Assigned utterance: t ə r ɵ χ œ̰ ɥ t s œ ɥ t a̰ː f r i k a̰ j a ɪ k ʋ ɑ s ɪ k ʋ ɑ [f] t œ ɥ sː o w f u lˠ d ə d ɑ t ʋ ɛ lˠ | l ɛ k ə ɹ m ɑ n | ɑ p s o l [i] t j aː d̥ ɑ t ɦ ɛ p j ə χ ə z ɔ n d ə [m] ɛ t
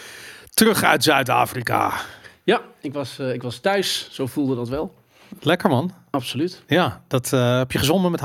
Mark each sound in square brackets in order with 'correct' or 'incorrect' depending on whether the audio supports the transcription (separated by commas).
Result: incorrect, incorrect, correct